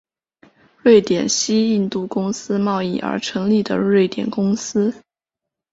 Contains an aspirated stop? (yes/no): yes